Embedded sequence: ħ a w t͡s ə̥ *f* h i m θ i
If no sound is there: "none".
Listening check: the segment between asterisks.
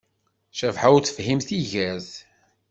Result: f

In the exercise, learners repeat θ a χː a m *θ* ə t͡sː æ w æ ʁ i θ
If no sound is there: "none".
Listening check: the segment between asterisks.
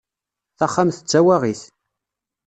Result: θ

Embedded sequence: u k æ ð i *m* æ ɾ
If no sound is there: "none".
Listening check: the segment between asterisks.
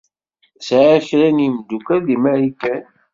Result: m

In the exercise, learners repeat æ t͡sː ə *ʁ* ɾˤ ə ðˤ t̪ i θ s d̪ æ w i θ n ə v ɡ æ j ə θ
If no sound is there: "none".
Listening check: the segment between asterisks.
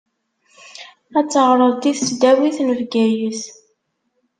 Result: ʁ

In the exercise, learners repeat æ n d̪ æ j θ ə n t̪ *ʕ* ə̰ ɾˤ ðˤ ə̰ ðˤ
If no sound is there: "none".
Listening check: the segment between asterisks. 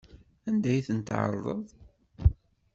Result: ʕ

